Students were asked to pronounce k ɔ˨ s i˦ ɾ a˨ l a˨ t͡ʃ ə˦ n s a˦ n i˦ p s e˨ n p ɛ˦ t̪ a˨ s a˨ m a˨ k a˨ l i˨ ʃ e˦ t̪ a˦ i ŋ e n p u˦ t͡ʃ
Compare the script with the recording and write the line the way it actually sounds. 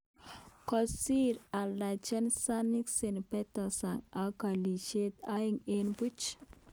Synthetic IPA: k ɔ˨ s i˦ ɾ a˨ l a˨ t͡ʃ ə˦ n s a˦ n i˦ k s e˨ n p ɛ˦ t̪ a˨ s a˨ ŋ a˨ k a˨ l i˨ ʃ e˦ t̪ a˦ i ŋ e n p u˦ t͡ʃ

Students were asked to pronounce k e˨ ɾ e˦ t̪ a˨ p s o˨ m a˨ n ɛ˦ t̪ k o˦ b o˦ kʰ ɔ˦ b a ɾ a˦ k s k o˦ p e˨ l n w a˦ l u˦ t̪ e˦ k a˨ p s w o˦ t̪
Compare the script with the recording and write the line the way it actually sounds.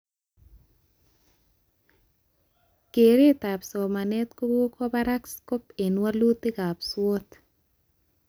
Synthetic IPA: k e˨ ɾ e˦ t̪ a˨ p s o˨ m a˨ n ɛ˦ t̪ k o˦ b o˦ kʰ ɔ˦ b a ɾ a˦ k s k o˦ p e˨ n w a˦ l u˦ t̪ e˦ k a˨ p s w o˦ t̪

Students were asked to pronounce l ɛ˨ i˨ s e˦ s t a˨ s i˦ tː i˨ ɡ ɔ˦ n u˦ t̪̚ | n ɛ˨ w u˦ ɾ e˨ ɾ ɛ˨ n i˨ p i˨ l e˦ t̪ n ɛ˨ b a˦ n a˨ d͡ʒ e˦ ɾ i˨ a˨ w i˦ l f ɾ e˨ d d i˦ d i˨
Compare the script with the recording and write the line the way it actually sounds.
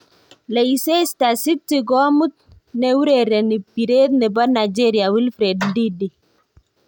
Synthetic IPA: l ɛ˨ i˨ s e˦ s t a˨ s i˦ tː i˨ ɡ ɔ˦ m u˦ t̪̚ | n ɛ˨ w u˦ ɾ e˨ ɾ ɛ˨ n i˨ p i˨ ɾ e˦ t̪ n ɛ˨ b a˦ n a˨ d͡ʒ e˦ ɾ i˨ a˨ w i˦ l f ɾ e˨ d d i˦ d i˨

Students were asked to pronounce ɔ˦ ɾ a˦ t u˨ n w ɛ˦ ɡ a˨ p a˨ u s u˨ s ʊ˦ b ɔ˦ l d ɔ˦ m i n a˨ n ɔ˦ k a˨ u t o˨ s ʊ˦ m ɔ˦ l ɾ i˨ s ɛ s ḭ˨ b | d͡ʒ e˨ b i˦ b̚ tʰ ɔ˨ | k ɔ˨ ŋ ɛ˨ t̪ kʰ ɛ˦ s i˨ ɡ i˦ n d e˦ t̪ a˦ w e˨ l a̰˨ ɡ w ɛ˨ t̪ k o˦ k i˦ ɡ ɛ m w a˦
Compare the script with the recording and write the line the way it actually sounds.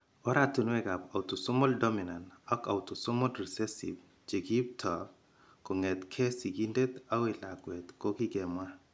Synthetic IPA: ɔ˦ ɾ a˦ t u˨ n w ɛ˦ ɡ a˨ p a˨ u t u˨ s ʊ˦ m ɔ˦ l d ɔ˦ m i n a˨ n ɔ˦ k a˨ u t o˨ s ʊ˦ m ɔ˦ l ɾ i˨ s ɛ s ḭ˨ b | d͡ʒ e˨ ɡ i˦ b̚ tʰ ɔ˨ | k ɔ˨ ŋ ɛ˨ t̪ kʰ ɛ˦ s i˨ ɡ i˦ n d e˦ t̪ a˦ w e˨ l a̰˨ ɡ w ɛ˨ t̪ k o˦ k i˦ ɡ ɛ m w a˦

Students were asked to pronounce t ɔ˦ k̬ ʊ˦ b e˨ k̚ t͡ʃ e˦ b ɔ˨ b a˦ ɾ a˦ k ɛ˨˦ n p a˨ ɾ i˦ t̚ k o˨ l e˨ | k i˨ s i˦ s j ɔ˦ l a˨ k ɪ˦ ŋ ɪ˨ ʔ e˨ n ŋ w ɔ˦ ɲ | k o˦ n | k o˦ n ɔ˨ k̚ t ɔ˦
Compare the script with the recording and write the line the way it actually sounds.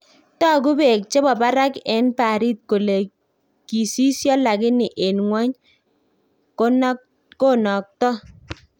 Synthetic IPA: t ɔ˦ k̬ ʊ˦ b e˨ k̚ t͡ʃ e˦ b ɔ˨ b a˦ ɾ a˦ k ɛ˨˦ n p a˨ ɾ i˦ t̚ k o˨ l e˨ | k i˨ s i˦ s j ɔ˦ l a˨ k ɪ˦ n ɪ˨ ʔ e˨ n ŋ w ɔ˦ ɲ | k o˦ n | k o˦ n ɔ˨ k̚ t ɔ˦

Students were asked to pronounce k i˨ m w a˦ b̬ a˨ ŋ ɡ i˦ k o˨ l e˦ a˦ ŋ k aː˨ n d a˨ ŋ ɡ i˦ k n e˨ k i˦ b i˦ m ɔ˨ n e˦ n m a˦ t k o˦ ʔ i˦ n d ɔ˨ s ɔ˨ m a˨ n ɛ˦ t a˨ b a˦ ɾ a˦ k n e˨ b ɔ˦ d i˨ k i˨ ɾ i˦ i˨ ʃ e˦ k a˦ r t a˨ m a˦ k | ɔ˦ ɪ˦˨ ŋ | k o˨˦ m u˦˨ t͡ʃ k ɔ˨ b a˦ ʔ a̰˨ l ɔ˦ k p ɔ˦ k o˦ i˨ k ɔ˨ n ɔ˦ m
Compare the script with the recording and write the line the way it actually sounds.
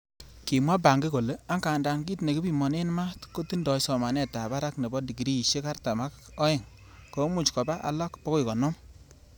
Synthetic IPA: k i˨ m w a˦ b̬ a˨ ŋ ɡ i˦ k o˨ l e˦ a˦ ŋ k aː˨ n d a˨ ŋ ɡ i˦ t n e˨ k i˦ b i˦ m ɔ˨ n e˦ n m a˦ t k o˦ t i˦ n d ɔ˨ s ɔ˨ m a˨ n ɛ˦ t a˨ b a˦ ɾ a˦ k n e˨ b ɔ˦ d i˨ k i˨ ɾ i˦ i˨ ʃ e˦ k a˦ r t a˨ m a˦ k | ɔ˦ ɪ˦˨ ŋ | k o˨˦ m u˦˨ t͡ʃ k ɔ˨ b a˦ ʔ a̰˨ l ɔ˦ k p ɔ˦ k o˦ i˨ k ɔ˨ n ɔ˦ m

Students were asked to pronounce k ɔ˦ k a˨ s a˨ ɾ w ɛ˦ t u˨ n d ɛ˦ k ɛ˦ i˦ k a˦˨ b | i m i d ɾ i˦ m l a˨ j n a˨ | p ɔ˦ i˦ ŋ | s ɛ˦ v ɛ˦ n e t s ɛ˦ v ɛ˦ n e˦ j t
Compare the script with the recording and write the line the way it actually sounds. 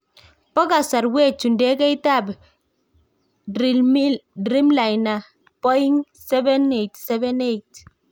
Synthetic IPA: p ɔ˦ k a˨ s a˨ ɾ w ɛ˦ t͡ʃ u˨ n d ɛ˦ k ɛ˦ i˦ t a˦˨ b | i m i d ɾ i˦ m l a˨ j n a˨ | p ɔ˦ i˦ ŋ | s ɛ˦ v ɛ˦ n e t s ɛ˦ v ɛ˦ n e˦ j t

